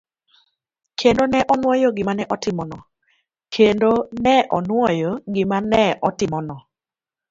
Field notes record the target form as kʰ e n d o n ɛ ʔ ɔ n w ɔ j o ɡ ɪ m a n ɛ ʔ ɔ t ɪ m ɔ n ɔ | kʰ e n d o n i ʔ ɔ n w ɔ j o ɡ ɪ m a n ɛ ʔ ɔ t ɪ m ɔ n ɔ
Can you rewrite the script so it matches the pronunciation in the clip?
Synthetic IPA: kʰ e n d o n ɛ ʔ ɔ n w ɔ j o ɡ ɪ m a n ɛ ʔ ɔ t ɪ m ɔ n ɔ | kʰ e n d o n ɛ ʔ ɔ n w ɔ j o ɡ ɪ m a n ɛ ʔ ɔ t ɪ m ɔ n ɔ